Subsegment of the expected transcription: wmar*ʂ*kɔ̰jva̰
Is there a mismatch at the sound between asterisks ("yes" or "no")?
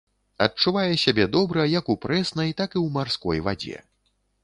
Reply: yes